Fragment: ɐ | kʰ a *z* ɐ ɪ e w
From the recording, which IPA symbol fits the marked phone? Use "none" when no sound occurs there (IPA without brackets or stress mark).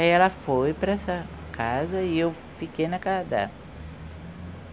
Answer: z